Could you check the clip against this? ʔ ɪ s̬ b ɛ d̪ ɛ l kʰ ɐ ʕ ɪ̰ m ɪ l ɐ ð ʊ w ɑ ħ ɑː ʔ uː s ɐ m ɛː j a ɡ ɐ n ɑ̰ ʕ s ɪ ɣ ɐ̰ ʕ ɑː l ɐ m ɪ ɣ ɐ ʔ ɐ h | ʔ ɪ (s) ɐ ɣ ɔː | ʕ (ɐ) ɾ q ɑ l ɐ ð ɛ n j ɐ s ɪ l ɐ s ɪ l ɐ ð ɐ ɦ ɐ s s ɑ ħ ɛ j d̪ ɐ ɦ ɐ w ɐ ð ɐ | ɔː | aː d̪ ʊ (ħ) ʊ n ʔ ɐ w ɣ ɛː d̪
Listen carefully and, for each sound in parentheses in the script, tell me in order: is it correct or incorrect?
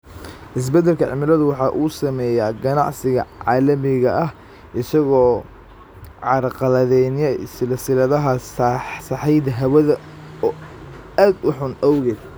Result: correct, incorrect, correct

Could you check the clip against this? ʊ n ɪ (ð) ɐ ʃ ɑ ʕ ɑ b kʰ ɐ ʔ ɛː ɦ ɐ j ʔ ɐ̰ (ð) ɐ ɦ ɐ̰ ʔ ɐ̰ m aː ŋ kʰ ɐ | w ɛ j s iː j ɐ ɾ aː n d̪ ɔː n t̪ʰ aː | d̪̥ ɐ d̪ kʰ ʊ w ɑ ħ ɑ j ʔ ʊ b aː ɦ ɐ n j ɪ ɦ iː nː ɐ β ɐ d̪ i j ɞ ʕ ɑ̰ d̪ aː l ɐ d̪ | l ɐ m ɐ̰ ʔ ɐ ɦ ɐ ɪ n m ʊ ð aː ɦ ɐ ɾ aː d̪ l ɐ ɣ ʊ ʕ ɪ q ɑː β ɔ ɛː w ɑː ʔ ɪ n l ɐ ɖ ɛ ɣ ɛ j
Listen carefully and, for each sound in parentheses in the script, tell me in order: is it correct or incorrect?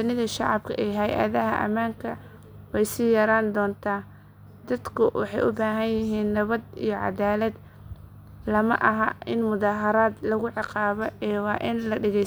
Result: correct, correct

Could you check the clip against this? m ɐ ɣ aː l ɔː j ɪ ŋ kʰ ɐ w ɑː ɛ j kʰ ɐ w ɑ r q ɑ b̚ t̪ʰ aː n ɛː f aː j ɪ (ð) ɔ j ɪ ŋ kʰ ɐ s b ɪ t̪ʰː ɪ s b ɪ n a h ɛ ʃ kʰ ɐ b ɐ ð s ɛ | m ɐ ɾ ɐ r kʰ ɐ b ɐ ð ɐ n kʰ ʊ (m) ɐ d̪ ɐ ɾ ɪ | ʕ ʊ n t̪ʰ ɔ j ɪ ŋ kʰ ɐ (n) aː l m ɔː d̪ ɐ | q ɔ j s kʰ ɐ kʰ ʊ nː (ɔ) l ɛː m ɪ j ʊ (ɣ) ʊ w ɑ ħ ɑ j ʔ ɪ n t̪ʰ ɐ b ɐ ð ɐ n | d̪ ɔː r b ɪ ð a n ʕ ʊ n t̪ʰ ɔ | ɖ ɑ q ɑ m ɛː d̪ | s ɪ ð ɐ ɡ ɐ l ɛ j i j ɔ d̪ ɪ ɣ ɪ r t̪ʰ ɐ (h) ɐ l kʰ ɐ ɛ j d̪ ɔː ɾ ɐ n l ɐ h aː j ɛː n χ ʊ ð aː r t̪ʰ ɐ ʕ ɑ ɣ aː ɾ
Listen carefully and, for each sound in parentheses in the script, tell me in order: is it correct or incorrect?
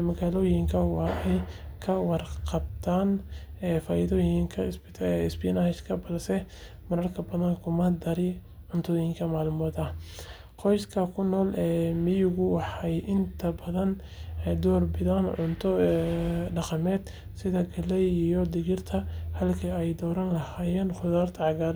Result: correct, correct, incorrect, incorrect, correct, correct

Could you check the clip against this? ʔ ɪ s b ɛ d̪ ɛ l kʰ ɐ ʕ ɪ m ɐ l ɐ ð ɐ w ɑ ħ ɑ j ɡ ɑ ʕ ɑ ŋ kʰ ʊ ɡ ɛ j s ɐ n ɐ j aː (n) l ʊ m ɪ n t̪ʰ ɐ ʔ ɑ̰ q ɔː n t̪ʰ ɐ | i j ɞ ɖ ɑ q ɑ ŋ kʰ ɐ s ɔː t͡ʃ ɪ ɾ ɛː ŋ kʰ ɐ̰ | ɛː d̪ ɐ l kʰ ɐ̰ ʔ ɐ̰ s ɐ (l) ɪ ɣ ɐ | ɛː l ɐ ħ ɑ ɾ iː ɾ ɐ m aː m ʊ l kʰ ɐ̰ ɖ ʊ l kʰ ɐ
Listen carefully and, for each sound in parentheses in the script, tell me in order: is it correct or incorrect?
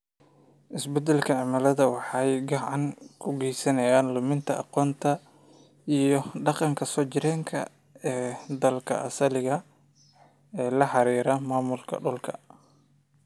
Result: correct, correct

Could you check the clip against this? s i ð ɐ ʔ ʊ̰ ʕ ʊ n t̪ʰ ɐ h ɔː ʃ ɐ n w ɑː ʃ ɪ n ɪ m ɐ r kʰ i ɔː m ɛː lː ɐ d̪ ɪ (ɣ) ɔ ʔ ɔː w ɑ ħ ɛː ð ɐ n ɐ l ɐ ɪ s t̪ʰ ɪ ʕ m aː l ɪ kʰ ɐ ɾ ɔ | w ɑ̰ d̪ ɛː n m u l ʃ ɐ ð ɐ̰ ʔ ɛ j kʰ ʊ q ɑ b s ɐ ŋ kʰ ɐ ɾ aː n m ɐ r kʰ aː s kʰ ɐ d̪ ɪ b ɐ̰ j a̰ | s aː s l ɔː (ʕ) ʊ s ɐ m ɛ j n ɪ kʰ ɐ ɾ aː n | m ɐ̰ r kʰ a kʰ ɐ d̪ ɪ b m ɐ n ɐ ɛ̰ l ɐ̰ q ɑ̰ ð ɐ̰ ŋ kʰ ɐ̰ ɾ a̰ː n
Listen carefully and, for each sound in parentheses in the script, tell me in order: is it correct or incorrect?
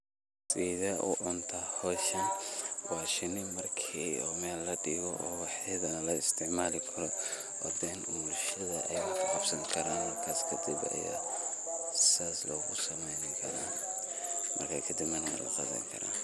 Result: correct, incorrect

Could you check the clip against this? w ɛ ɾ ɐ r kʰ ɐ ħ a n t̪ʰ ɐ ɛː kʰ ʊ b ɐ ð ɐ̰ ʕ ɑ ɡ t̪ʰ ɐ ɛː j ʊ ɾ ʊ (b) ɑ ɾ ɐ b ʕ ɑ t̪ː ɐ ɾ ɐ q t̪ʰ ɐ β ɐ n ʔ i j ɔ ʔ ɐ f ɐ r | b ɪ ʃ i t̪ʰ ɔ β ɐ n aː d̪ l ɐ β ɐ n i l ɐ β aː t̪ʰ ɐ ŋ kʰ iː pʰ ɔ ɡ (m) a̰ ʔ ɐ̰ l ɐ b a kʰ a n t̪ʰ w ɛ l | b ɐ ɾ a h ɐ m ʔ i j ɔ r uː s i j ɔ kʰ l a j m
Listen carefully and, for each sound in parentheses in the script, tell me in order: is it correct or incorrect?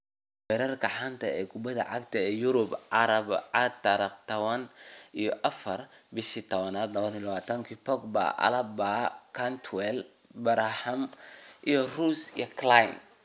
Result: correct, incorrect

